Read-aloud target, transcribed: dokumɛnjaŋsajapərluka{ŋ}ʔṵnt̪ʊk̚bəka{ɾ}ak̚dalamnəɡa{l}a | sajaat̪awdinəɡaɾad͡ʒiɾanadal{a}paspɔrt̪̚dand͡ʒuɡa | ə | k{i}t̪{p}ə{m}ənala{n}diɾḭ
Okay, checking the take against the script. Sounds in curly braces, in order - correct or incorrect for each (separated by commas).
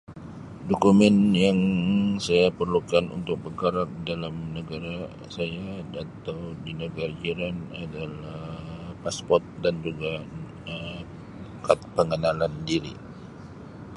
incorrect, correct, incorrect, correct, incorrect, correct, incorrect, correct